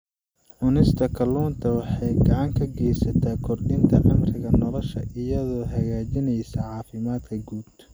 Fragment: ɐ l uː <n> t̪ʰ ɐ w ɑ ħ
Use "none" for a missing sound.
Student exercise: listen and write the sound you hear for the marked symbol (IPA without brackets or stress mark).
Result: n